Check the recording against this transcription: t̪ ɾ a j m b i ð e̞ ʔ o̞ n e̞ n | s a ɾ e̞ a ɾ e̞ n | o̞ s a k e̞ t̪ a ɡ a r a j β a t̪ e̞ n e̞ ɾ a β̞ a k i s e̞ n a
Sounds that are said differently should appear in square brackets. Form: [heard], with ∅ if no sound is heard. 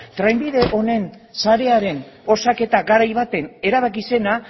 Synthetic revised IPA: t̪ ɾ a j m b i ð e̞ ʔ o̞ n e̞ n | s a ɾ e̞ a ɾ e̞ n | o̞ s a k e̞ t̪ a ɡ a [ɾ] a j β a t̪ e̞ n e̞ ɾ a β̞ a k i s e̞ n a